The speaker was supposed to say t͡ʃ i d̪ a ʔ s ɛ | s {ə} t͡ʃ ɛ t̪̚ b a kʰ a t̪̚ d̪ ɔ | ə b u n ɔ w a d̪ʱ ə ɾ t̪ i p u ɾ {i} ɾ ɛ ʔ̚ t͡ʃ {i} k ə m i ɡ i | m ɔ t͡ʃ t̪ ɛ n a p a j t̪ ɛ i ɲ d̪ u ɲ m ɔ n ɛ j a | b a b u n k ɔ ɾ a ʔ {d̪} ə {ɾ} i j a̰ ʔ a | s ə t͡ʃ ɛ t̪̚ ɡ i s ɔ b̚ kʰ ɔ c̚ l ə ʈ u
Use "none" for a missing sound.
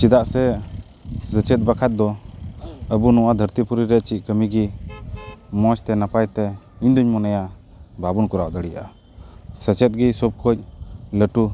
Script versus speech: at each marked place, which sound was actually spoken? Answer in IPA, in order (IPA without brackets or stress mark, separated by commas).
ə, i, i, d̪, ɽ